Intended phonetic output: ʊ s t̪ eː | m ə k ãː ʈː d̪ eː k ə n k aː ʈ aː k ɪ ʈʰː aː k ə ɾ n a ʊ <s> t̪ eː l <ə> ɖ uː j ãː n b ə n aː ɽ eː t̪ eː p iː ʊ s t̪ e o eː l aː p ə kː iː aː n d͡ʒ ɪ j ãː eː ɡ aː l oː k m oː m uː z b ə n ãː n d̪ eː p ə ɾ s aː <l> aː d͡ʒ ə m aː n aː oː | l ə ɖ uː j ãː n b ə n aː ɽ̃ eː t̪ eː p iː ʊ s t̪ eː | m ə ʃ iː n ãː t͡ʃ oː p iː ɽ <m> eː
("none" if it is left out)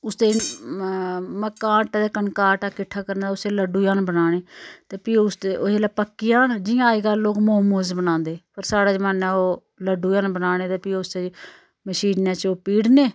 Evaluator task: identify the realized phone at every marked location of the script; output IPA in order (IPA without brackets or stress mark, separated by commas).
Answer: s, ə, ɽ, n